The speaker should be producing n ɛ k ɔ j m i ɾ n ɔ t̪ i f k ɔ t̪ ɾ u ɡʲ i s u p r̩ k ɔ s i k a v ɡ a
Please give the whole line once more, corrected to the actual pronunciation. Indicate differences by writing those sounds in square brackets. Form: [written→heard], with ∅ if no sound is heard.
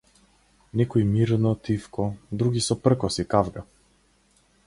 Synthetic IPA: n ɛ k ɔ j m i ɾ n ɔ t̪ i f k ɔ [t̪→d̪] ɾ u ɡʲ i s [u→ɔ] p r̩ k ɔ s i k a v ɡ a